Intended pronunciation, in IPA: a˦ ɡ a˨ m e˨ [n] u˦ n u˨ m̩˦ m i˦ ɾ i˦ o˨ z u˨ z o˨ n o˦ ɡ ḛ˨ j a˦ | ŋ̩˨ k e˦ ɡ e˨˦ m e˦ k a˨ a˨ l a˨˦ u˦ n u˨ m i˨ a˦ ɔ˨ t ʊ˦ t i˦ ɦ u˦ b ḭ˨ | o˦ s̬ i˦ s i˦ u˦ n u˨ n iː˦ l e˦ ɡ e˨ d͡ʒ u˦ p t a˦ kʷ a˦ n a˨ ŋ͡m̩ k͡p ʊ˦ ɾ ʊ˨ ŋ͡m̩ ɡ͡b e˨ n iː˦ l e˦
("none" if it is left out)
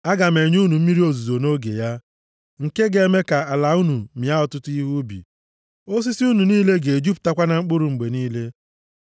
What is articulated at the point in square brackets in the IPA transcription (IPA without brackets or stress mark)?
ɲ